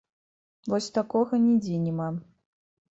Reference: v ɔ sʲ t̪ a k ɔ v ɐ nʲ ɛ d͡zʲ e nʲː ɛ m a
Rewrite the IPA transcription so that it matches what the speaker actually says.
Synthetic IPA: v ɔ sʲ t̪ a k ɔ ɣ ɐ nʲ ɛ d͡zʲ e nʲ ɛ m a